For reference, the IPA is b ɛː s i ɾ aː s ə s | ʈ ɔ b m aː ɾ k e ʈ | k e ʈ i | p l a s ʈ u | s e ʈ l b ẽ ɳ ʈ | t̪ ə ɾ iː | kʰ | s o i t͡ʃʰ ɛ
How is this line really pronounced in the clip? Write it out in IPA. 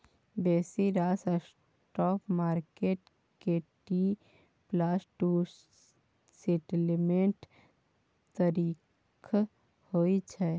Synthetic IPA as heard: b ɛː s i ɾ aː s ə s | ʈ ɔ p m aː ɾ k e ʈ | k e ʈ i | p l a s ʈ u | s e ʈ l m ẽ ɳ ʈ | t̪ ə ɾ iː | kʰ | h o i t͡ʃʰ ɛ